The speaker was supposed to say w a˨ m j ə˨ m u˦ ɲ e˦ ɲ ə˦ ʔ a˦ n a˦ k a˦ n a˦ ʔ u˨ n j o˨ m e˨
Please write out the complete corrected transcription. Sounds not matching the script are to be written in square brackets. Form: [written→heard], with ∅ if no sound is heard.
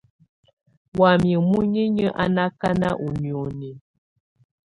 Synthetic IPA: w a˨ m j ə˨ m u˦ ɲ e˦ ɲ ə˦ ʔ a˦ n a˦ k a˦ n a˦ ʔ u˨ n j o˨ [m→n] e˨